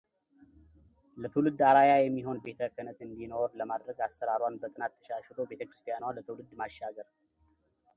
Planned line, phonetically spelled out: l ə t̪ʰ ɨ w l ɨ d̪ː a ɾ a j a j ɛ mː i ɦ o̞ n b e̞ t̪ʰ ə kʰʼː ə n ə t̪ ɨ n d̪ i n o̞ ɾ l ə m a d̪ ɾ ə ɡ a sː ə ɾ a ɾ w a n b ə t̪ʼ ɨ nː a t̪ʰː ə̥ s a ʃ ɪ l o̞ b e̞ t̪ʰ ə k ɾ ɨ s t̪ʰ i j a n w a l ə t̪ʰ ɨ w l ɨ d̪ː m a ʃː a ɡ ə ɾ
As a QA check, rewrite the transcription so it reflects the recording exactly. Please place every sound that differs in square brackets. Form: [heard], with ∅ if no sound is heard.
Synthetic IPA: l ə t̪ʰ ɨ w l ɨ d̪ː a ɾ a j a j ɛ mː i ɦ o̞ n b e̞ t̪ʰ ə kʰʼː ə n ə t̪ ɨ n d̪ i n o̞ ɾ l ə m a d̪ ɾ ə ɡ a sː ə ɾ a ɾ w a n b ə t̪ʼ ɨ [n] a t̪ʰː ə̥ [ʃ] a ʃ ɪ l o̞ b e̞ t̪ʰ ə k ɾ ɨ s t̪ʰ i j a n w a l ə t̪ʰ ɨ w l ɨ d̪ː m a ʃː a ɡ ə ɾ